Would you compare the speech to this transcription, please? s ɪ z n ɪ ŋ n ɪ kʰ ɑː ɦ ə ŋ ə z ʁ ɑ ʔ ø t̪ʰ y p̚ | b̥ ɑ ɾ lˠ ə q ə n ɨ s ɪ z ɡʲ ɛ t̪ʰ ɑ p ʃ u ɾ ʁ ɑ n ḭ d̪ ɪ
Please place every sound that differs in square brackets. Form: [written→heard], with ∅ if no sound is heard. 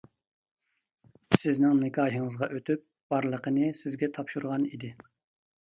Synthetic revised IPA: s ɪ z n ɪ ŋ n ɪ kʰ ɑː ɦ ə ŋ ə z ʁ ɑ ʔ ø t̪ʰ y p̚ | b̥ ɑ ɾ lˠ ə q ə n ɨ s ɪ z ɡʲ ɛ t̪ʰ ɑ p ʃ u ɾ ʁ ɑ n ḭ d̪ ɪ